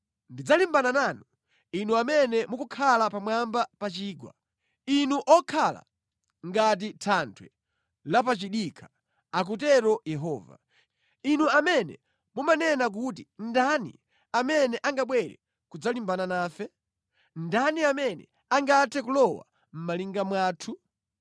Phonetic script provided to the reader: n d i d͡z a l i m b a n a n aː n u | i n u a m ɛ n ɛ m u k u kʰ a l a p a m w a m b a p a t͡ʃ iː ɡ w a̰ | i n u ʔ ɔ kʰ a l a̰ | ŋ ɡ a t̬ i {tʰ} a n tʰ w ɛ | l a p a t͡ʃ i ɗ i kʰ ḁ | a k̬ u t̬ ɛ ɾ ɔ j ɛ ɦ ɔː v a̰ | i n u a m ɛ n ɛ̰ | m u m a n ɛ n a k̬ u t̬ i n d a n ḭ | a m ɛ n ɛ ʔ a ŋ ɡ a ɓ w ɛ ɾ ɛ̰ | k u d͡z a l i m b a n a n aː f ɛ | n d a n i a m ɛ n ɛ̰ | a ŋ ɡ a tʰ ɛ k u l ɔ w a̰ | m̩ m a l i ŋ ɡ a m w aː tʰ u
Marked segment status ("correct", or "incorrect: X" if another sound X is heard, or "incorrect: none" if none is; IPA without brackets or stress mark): correct